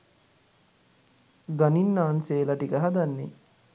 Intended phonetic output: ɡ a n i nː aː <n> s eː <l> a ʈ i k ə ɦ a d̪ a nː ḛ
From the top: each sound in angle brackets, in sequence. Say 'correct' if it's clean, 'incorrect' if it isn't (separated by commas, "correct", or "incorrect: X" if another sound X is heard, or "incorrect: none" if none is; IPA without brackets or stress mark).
correct, correct